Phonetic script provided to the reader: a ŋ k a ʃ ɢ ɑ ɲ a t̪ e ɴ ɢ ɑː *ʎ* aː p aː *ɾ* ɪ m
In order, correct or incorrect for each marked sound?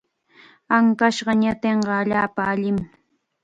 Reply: correct, incorrect: ʎ

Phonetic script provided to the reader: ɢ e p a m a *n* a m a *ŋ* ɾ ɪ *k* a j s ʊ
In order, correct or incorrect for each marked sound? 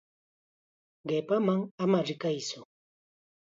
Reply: incorrect: ŋ, incorrect: none, correct

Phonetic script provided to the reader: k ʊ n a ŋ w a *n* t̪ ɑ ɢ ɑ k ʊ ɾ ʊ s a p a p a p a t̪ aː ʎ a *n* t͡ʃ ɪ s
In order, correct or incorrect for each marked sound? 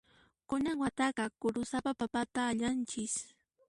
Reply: incorrect: none, correct

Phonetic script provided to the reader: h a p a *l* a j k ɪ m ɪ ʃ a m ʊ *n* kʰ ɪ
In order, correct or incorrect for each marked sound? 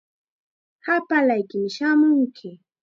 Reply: correct, incorrect: ŋ

